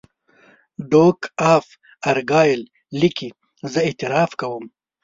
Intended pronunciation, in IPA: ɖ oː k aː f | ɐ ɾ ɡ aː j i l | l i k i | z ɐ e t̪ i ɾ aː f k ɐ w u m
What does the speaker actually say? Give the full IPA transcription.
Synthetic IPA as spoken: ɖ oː k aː f | ɐ ɾ ɡ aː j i l | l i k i | z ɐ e t̪ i ɾ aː f k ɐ w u m